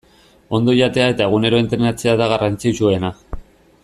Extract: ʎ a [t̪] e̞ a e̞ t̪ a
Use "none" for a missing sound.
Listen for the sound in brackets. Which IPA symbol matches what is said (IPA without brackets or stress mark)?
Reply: t̪